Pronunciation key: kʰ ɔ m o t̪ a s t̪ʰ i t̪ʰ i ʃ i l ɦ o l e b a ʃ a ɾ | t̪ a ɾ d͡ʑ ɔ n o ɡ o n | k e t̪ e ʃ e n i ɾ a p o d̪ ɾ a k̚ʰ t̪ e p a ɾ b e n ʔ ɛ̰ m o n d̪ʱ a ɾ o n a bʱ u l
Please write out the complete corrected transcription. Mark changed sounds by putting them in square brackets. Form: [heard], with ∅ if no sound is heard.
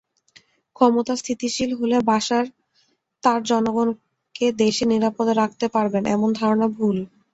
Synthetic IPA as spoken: kʰ ɔ m o t̪ a s t̪ʰ i [t̪] i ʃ i l ɦ o l e b a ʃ a ɾ | t̪ a ɾ d͡ʑ ɔ n o ɡ o n | k e [d̪] e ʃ e n i ɾ a p o d̪ ɾ a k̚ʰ t̪ e p a ɾ b e n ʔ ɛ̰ m o n d̪ʱ a ɾ o n a bʱ u l